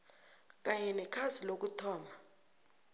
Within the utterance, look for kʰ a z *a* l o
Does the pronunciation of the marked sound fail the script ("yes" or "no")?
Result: yes